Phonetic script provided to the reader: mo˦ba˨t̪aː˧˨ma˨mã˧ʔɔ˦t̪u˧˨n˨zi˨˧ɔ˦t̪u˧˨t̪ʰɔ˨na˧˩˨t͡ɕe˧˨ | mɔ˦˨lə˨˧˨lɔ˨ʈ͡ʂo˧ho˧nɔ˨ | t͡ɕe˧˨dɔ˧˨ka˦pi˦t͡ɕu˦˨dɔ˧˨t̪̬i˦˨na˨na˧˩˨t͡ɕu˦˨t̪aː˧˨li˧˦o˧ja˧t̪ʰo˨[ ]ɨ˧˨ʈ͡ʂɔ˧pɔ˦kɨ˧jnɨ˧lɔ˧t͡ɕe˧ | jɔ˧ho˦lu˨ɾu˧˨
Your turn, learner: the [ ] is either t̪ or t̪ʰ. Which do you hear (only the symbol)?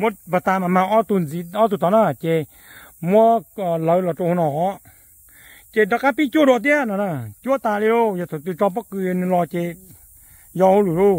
t̪